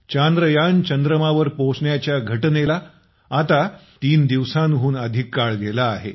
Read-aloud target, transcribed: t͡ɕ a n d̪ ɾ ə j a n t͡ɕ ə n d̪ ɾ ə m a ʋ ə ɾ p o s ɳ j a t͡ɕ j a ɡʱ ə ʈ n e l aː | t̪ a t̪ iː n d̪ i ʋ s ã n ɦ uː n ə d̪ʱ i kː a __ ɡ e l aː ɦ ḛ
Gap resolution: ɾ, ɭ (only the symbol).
ɭ